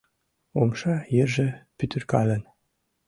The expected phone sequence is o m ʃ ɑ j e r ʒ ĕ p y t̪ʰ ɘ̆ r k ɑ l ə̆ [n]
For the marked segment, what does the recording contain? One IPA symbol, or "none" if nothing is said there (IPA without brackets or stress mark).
n